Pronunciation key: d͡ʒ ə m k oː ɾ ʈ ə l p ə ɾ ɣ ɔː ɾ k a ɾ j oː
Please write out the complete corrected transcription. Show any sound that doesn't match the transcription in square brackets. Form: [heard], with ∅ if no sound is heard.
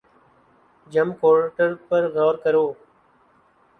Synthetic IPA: d͡ʒ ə m k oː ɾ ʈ ə [ɾ] p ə ɾ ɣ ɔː ɾ k [ə] ɾ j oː